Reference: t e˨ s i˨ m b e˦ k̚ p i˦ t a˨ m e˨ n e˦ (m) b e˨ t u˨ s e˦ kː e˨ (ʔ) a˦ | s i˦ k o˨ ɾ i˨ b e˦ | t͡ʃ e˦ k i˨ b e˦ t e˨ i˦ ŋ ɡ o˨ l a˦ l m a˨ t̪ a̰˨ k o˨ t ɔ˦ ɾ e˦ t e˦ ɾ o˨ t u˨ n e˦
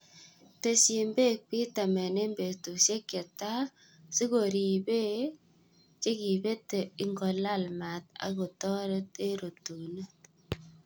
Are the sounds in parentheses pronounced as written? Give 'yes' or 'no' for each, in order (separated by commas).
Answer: yes, no